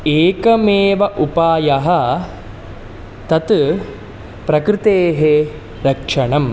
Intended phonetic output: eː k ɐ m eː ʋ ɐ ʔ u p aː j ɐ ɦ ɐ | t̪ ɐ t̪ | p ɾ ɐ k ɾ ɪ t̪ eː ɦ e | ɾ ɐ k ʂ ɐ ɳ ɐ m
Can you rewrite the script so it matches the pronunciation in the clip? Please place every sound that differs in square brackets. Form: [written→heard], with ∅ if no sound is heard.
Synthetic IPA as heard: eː k ɐ m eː ʋ ɐ ʔ u p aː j ɐ ɦ ɐ | t̪ ɐ t̪ | p ɾ ɐ k ɾ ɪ t̪ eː ɦ e | ɾ ɐ k ʂ ɐ ɳ ɐ m